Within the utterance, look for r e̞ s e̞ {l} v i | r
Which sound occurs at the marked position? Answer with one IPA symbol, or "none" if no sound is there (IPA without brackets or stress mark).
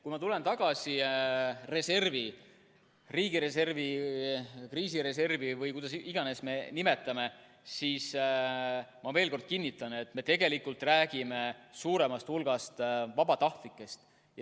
r